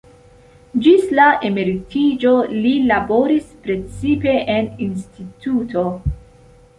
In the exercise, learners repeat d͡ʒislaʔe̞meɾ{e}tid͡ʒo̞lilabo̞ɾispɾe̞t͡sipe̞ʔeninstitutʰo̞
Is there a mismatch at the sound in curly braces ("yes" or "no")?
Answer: yes